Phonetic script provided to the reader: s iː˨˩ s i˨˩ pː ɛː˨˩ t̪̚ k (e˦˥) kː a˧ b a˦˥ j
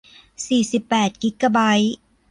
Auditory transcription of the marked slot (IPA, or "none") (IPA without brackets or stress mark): i˦˥